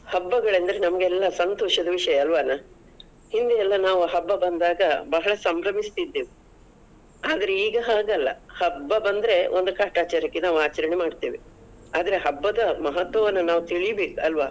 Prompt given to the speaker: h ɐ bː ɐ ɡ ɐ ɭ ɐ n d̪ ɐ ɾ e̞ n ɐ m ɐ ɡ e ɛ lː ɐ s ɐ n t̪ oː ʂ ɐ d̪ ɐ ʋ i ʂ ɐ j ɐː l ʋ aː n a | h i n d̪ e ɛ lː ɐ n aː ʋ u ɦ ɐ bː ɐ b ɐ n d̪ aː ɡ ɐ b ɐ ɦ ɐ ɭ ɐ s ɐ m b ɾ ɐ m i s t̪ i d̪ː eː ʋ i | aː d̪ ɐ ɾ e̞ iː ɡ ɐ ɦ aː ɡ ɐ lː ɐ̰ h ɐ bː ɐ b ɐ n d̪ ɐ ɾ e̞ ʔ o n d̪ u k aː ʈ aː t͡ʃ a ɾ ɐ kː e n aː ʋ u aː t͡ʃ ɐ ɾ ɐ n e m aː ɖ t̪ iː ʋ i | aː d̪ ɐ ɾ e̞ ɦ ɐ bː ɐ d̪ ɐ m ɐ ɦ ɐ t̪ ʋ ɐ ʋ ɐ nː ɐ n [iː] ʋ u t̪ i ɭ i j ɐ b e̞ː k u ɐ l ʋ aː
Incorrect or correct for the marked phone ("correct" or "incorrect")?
incorrect